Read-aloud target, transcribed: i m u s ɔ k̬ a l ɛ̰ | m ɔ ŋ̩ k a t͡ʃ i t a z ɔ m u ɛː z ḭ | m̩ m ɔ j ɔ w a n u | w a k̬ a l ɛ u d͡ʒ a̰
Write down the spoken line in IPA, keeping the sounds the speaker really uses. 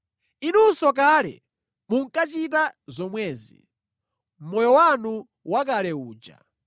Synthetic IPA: i n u s ɔ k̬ a l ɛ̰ | m u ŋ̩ k a t͡ʃ i t a z ɔ m w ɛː z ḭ | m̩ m ɔ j ɔ w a n u | w a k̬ a l ɛ uː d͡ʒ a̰